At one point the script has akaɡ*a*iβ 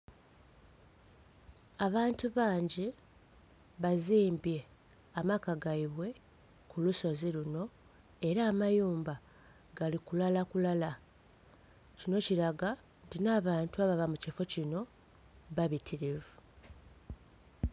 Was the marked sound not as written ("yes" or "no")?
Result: no